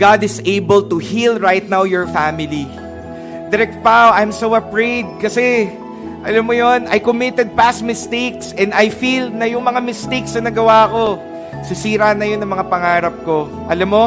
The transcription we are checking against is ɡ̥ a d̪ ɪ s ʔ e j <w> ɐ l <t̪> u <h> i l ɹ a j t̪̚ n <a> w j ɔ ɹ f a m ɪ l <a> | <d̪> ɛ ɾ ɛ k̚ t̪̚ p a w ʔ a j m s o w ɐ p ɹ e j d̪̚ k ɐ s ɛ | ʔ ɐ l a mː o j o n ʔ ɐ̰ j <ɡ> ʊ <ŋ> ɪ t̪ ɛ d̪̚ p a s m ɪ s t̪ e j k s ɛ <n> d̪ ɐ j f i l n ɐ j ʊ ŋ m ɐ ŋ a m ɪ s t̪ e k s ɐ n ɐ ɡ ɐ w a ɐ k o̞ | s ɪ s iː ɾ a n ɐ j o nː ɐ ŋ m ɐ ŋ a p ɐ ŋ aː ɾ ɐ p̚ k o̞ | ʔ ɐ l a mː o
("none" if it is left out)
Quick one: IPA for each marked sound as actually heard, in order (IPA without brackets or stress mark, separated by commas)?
b, t̪, h, a, i, d̪, k, m, n